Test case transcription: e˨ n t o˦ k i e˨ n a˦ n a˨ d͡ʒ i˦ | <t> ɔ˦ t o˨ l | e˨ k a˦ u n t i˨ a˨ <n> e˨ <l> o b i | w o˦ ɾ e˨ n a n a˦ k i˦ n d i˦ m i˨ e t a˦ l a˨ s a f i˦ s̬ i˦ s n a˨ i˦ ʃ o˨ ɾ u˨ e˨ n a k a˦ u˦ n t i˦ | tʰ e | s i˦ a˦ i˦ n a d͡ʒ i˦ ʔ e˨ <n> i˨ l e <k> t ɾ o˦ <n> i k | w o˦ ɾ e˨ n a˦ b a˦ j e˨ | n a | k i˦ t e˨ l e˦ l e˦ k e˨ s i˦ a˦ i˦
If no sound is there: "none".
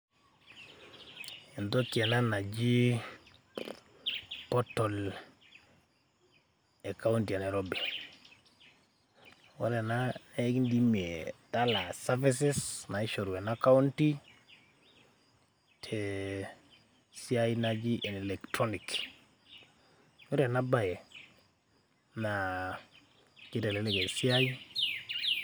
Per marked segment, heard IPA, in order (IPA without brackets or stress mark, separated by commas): p, n, ɾ, n, k, n